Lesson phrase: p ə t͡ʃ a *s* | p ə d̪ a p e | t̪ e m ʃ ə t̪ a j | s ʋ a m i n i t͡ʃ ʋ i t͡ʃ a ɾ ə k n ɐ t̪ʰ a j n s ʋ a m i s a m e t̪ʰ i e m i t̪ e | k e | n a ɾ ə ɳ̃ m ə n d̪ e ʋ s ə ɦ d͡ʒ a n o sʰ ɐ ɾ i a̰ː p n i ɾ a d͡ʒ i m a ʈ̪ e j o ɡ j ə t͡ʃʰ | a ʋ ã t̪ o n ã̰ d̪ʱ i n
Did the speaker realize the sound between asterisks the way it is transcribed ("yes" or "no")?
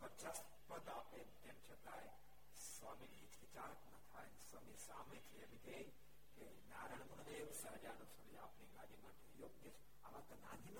yes